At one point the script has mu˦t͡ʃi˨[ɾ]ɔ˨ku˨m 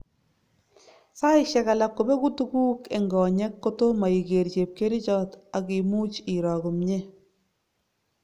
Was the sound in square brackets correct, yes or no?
yes